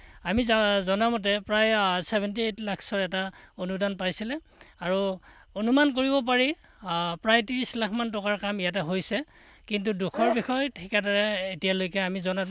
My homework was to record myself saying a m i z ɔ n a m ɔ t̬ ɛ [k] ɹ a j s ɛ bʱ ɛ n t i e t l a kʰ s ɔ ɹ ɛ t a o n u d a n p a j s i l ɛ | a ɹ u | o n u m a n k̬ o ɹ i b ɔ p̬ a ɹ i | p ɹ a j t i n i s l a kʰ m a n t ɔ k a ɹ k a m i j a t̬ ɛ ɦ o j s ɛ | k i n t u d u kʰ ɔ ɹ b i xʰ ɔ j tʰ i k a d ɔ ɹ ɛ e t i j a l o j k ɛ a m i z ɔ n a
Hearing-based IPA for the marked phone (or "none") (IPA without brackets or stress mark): p